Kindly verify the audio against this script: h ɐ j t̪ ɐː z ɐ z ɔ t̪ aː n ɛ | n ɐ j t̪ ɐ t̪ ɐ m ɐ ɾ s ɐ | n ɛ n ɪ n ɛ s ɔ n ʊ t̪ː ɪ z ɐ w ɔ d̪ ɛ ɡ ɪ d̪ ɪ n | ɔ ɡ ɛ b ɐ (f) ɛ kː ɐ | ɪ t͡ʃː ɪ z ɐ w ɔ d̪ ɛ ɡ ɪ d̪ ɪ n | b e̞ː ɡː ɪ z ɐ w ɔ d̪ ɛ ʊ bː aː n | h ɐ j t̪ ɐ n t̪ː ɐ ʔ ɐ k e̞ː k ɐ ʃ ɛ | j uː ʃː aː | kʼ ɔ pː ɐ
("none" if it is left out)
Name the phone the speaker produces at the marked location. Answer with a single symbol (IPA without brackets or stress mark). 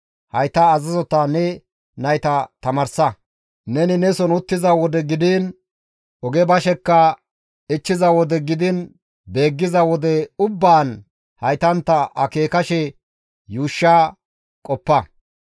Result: ʃ